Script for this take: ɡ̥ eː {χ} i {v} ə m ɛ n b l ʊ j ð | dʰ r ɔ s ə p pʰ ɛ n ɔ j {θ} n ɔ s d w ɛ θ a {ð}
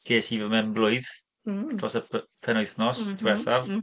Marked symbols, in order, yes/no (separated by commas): no, yes, yes, no